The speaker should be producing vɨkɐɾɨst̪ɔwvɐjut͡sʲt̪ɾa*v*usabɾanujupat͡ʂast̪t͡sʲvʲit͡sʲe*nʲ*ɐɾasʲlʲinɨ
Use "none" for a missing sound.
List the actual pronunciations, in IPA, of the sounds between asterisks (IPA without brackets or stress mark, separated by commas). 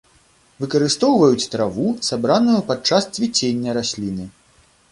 v, nʲː